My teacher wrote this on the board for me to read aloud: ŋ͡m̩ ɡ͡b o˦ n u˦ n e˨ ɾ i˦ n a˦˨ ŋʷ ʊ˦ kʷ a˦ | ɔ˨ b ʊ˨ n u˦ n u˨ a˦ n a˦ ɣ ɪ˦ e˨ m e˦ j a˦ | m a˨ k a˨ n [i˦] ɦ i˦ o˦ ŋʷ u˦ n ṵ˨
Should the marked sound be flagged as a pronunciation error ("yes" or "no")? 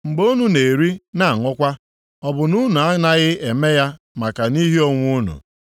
no